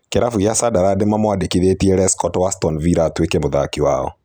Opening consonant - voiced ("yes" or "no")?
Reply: no